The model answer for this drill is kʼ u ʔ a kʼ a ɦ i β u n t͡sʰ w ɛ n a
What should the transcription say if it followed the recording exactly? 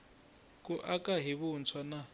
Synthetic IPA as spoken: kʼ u ʔ a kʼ a ɦ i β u n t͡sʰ w a n a